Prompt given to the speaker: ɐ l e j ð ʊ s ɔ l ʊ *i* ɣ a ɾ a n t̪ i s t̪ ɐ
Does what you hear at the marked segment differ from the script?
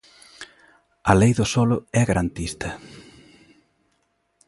yes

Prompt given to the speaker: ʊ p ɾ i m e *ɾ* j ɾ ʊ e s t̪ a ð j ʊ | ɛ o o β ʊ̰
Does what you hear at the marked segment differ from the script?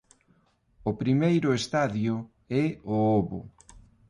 yes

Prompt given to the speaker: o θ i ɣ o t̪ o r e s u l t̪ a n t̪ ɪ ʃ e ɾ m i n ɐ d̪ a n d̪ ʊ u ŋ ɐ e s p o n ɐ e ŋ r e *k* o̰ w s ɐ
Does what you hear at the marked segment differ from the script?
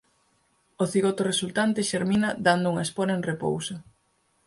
yes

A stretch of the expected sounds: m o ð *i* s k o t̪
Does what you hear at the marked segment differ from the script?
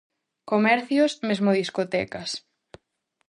no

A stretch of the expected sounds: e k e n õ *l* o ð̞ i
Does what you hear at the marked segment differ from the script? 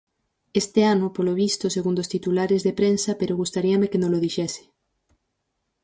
no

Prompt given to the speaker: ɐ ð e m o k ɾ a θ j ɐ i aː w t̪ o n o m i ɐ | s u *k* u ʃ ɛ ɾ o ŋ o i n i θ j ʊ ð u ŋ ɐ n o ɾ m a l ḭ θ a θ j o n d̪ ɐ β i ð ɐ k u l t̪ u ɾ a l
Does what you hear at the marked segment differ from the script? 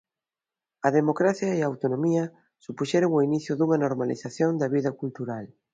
yes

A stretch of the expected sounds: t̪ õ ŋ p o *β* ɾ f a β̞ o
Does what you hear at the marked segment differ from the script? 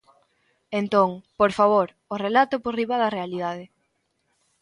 yes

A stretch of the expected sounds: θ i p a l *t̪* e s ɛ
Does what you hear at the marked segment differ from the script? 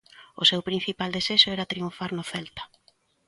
yes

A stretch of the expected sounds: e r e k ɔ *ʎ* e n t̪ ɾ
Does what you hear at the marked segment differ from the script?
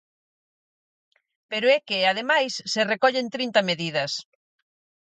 no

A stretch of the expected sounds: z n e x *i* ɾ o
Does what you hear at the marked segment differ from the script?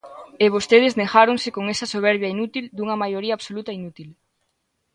yes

